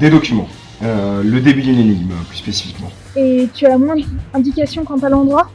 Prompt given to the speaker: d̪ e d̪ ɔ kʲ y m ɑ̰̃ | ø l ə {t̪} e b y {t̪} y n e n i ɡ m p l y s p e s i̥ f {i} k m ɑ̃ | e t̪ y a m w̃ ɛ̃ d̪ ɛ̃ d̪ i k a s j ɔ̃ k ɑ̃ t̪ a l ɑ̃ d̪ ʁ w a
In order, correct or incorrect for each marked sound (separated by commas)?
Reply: incorrect, incorrect, correct